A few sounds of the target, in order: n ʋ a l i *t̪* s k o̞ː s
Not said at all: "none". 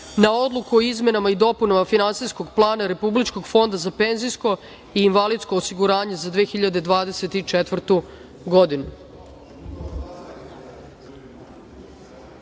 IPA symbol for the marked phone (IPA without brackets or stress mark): d̪